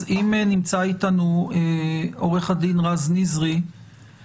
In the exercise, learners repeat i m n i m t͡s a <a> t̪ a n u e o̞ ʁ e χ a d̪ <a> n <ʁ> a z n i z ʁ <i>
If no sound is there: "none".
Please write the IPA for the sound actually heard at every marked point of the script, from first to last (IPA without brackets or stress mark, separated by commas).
i, i, ʁ, i